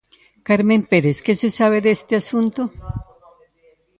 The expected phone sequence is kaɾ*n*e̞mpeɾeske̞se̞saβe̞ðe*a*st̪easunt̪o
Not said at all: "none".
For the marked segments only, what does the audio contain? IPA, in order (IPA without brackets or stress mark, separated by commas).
m, e